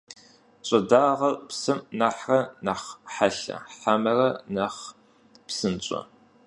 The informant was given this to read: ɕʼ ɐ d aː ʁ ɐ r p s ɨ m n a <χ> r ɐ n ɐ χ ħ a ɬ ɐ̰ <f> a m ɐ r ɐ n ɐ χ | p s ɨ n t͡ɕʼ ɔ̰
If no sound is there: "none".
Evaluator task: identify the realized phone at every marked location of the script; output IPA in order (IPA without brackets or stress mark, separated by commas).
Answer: ħ, ħ